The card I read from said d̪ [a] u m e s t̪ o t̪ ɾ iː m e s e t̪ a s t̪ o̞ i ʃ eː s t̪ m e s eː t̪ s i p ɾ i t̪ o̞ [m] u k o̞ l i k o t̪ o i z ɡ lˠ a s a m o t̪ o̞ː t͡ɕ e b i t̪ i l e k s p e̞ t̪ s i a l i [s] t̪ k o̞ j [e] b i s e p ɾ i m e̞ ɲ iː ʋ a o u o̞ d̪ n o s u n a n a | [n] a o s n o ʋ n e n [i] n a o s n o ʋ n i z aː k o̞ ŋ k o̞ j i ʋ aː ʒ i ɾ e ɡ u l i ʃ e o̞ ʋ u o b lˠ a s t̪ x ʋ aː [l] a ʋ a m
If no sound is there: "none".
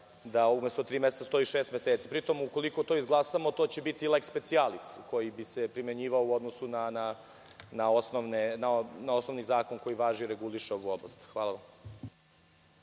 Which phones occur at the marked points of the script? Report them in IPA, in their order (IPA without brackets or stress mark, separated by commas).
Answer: a, m, s, i, n, a, l